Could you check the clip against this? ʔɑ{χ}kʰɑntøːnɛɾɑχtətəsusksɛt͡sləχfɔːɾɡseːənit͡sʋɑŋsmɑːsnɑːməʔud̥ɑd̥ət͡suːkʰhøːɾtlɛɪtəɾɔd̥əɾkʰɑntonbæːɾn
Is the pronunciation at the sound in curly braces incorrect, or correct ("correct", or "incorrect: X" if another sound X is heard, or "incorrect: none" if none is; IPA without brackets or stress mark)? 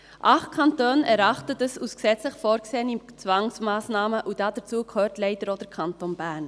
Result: correct